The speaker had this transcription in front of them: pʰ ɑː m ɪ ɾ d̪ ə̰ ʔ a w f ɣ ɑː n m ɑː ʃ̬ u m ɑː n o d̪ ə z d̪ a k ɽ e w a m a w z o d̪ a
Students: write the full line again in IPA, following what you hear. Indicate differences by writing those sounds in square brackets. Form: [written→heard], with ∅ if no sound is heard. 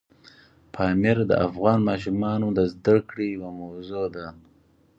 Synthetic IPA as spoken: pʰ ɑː m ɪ ɾ d̪ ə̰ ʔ a [w→∅] f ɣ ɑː n m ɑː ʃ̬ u m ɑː n o d̪ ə z d̪ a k ɽ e w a m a w z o d̪ a